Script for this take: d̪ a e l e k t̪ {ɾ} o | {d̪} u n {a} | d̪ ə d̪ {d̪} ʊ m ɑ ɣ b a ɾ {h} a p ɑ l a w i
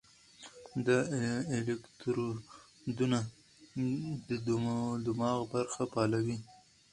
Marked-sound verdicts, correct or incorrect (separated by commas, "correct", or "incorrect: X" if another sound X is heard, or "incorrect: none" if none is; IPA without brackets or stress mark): correct, correct, correct, correct, incorrect: x